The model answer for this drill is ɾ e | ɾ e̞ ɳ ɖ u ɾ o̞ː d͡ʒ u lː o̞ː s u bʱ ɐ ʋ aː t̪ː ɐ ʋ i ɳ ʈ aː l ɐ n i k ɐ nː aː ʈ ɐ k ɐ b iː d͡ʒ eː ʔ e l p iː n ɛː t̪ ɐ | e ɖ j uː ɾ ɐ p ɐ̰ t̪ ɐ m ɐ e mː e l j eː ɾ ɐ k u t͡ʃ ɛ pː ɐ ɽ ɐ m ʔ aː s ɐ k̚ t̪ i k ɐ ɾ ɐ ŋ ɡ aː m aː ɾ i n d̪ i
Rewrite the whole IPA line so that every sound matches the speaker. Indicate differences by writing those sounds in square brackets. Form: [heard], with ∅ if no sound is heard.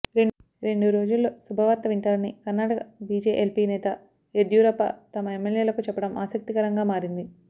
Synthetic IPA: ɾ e | ɾ e̞ ɳ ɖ u ɾ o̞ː d͡ʒ u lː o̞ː s u bʱ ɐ ʋ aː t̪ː ɐ ʋ i ɳ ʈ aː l ɐ n i k ɐ nː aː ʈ ɐ k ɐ b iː d͡ʒ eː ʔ e l p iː n ɛː t̪ ɐ | e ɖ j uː ɾ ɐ p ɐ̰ t̪ ɐ m ɐ e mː e l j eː [l] ɐ k u t͡ʃ ɛ pː ɐ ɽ ɐ m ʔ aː s ɐ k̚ t̪ i k ɐ ɾ ɐ ŋ ɡ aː m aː ɾ i n d̪ i